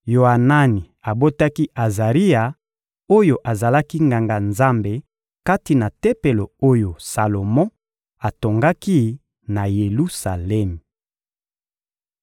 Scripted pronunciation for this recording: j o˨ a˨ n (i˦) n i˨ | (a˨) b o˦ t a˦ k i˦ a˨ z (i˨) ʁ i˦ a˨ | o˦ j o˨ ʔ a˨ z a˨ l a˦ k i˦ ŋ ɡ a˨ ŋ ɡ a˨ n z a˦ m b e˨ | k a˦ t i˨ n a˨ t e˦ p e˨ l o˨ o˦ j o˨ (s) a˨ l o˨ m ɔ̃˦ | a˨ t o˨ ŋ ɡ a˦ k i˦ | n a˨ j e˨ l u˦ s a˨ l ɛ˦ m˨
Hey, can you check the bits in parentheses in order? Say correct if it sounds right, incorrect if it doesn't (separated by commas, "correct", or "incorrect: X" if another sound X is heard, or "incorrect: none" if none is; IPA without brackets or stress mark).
incorrect: a˦, correct, incorrect: a˨, correct